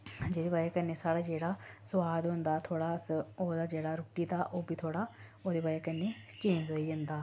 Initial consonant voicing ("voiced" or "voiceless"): voiced